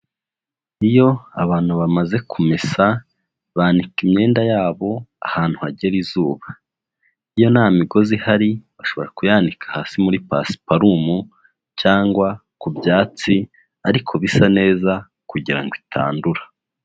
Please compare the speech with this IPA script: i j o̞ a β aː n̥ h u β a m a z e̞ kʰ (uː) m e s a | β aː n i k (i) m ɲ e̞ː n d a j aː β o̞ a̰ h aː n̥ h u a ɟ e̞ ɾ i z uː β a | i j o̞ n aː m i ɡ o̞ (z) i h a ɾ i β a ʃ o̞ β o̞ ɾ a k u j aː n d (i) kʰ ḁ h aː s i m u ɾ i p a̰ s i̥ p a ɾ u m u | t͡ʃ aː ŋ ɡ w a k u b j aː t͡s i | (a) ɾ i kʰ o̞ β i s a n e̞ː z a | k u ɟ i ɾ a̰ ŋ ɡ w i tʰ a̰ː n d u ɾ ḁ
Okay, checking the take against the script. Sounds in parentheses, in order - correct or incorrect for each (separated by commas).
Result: incorrect, correct, correct, correct, correct